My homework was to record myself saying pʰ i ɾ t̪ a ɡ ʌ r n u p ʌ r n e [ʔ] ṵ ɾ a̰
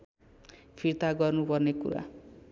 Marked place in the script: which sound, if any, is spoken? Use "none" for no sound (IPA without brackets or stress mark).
k